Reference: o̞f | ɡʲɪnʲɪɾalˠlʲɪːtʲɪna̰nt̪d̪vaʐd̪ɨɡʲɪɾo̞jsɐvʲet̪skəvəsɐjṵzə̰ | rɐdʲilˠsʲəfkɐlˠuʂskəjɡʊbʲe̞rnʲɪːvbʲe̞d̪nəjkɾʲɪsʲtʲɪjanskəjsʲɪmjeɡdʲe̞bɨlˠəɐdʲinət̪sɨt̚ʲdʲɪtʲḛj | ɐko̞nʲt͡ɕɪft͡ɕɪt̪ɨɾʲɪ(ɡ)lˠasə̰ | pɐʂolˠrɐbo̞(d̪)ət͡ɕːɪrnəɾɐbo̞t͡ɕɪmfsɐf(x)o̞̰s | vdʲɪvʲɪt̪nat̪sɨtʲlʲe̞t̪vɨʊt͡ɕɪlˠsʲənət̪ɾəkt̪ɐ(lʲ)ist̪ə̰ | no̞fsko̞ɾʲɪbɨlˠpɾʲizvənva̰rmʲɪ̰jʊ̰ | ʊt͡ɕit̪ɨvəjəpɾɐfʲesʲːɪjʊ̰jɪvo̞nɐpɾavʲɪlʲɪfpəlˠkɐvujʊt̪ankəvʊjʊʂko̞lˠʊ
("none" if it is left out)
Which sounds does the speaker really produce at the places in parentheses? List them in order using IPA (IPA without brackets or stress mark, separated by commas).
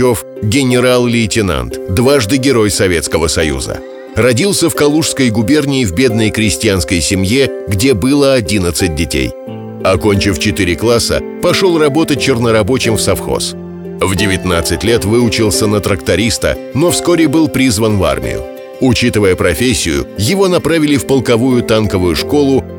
k, t̪, x, ɾʲ